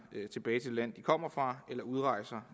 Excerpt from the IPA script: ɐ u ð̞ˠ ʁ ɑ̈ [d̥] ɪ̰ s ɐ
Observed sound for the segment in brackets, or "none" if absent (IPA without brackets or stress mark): none